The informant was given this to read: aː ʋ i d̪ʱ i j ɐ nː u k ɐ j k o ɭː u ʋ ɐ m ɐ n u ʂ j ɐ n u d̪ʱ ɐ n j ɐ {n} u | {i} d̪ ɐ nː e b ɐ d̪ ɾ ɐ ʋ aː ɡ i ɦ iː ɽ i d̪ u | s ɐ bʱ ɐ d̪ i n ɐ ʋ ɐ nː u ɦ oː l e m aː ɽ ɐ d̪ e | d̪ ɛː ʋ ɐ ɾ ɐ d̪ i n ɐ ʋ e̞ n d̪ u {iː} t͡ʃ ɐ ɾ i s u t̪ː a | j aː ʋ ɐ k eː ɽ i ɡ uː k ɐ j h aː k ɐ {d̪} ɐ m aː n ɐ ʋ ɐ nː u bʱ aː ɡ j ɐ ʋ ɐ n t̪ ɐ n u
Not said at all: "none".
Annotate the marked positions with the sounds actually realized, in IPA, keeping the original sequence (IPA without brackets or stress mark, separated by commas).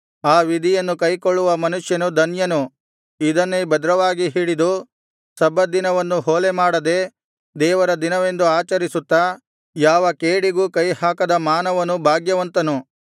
n, i, aː, d̪